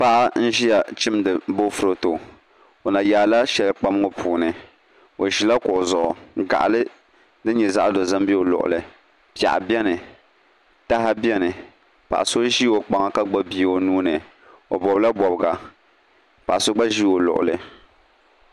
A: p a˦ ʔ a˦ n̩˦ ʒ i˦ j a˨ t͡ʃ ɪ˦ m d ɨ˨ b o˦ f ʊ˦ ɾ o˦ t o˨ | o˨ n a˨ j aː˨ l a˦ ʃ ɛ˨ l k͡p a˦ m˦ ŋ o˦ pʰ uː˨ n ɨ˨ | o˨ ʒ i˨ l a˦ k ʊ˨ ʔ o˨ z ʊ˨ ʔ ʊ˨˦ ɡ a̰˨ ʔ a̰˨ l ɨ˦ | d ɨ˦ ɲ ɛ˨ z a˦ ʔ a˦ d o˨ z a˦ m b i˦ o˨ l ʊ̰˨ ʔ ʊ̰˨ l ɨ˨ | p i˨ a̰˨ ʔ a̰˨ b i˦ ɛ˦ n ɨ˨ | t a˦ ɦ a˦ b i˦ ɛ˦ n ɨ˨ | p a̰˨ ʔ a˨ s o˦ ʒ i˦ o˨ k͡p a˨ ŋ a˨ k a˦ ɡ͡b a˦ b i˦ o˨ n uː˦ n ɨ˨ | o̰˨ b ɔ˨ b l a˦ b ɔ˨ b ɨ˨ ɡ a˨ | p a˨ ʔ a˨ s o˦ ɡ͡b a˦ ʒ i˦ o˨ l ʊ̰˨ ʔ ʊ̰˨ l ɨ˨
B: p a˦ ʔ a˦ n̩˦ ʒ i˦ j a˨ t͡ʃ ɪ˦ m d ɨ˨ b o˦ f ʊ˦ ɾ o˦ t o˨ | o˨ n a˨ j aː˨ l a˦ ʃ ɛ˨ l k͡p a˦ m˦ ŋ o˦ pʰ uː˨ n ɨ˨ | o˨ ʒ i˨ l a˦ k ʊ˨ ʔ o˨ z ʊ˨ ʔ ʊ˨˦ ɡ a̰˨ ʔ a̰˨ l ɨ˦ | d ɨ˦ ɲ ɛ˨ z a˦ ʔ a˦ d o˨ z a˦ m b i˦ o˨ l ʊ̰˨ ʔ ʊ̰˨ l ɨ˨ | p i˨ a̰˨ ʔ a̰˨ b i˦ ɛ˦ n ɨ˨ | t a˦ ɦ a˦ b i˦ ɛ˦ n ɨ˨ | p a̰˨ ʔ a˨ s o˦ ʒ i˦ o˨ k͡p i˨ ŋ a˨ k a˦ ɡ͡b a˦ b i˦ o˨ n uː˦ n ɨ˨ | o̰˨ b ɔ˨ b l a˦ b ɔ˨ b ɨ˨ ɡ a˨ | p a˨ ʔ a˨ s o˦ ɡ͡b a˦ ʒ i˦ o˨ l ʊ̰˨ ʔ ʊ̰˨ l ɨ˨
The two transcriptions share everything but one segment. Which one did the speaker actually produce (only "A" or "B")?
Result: A